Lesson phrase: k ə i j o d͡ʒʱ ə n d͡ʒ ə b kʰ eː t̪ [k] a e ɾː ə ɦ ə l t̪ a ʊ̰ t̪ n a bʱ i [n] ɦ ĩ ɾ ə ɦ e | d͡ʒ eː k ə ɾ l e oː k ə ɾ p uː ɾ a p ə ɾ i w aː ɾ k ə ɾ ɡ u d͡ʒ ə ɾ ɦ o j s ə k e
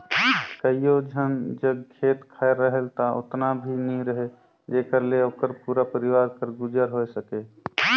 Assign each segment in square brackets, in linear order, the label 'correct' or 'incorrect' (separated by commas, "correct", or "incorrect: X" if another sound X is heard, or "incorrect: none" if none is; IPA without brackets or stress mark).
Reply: incorrect: kʰ, correct